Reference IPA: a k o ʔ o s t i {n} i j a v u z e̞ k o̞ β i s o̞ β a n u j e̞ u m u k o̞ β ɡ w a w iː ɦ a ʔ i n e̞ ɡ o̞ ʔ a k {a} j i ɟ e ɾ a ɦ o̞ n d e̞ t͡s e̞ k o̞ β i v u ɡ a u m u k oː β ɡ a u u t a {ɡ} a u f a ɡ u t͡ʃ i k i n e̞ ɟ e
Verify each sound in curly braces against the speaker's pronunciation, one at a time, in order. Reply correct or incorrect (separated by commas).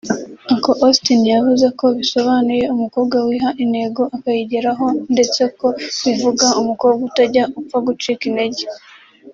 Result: correct, correct, incorrect